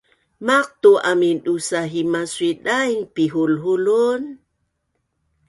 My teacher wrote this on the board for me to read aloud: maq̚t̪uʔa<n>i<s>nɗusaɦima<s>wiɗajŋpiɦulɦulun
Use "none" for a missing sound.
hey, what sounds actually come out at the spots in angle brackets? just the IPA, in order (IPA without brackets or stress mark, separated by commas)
m, none, s